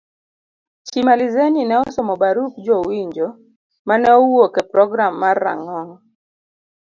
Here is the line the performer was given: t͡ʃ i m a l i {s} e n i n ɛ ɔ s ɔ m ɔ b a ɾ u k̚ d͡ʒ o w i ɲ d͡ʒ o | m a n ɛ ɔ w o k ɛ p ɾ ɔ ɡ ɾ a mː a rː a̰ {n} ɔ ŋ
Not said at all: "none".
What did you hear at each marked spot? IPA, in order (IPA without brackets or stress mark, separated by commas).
z, ŋ